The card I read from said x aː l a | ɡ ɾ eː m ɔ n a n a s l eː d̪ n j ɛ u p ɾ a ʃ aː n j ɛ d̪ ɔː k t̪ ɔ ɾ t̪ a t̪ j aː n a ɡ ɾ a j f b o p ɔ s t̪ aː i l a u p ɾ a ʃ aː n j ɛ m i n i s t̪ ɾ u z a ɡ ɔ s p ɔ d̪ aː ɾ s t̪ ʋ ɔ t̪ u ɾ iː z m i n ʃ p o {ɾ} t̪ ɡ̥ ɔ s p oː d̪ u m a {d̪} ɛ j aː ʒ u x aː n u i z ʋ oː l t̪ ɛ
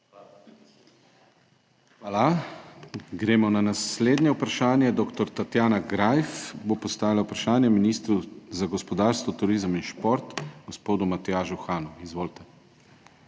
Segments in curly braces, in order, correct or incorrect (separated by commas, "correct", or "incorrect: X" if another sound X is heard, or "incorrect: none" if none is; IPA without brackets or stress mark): correct, incorrect: t̪